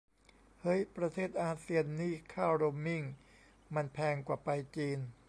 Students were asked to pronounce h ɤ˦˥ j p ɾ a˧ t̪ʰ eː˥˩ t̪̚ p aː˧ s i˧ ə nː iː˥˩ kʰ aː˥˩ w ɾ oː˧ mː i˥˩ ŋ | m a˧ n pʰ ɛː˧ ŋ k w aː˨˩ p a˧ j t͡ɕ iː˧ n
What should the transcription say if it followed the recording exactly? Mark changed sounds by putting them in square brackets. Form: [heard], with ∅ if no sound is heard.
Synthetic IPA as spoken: h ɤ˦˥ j p ɾ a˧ t̪ʰ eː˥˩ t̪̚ [ʔ] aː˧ s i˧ ə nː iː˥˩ kʰ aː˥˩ w ɾ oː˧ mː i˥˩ ŋ | m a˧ n pʰ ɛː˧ ŋ k w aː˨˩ p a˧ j t͡ɕ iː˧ n